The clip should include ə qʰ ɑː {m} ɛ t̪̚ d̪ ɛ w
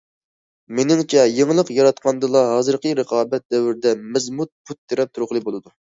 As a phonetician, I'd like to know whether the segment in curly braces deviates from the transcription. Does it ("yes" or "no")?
yes